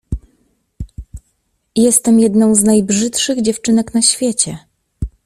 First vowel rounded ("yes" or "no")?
no